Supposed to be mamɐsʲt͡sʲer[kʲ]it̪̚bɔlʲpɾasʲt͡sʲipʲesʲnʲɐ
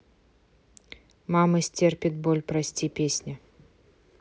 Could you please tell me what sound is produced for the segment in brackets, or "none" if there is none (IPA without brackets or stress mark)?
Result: pʲ